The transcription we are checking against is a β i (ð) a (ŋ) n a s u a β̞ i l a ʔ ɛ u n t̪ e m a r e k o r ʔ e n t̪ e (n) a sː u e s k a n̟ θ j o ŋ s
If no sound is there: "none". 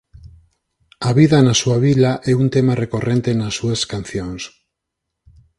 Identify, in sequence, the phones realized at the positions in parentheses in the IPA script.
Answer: ð, none, n

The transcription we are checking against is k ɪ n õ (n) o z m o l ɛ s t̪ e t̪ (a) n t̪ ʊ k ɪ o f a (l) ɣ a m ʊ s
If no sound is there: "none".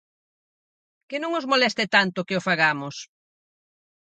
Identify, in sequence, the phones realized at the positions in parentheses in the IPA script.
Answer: ŋ, a, none

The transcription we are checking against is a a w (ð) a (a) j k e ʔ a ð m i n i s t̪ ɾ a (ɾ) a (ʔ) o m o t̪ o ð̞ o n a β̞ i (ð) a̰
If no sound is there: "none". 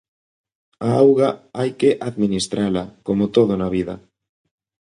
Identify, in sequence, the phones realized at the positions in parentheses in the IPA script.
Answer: ɣ, a, l, k, ð

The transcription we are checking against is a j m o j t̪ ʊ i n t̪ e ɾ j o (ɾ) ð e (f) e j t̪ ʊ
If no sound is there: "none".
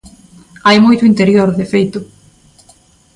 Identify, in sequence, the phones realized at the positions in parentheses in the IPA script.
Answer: ɾ, f

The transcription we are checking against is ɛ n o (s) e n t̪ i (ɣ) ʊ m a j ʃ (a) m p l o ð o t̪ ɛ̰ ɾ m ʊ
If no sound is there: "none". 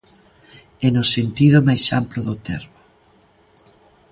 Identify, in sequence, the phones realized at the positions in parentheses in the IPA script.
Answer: s, ð, a

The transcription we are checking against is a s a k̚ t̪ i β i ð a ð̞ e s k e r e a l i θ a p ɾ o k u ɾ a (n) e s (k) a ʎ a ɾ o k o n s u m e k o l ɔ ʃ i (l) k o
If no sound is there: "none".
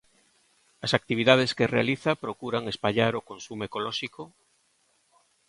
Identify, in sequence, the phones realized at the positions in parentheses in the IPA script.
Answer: ŋ, p, none

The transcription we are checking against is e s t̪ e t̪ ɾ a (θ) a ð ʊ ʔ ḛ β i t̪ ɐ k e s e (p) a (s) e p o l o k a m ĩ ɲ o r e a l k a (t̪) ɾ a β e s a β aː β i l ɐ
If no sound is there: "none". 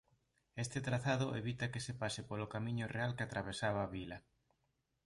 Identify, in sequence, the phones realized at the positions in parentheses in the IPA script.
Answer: θ, p, s, t̪

